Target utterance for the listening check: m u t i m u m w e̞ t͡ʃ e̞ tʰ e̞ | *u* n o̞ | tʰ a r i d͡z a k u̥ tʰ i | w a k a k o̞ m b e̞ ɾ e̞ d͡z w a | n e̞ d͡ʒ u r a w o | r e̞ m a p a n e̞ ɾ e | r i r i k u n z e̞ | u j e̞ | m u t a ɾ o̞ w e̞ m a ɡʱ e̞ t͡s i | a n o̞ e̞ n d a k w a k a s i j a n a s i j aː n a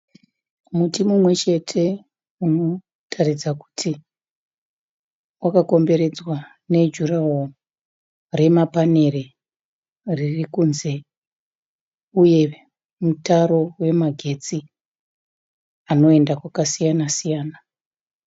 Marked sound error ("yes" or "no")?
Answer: no